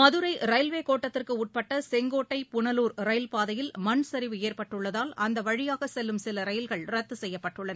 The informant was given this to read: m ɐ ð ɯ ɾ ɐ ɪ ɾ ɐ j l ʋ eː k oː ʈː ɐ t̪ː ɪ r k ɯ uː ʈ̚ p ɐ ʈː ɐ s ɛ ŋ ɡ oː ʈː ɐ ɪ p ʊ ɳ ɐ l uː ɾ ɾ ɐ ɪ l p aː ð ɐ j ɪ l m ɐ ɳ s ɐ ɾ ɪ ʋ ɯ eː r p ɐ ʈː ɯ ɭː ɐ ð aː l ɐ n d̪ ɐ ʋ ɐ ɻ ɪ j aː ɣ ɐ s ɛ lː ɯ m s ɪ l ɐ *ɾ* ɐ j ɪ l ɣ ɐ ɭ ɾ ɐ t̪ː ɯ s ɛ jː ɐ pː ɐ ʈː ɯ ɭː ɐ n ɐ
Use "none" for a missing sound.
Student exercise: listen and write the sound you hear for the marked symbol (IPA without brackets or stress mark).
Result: ɾ